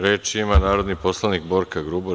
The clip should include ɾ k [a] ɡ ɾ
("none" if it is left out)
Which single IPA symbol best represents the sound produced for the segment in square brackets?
a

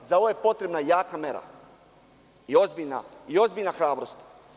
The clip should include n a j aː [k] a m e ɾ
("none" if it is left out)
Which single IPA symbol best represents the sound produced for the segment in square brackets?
k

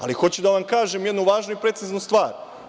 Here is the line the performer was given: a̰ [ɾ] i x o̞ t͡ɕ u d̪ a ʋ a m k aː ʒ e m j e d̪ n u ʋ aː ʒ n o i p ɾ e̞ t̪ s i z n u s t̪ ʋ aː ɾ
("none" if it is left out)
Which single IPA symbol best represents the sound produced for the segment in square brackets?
l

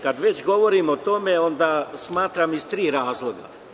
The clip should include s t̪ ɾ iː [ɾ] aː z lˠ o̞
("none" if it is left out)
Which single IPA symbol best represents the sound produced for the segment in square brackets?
ɾ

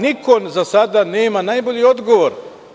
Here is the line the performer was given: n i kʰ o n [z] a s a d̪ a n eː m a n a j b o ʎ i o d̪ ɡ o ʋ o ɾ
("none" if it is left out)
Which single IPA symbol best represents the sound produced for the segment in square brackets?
z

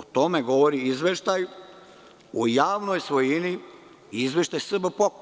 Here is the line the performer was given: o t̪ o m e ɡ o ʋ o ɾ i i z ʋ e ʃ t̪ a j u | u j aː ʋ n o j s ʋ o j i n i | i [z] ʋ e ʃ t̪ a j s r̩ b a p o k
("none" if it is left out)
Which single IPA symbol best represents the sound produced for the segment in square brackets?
z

